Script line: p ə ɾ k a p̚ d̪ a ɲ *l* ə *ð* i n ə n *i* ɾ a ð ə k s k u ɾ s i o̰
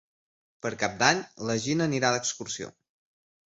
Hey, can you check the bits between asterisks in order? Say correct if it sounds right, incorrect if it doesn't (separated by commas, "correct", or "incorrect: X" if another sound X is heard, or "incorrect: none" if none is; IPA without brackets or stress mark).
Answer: correct, incorrect: ʒ, correct